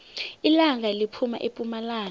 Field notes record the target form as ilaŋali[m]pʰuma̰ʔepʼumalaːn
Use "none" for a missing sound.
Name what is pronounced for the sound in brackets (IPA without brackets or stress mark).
none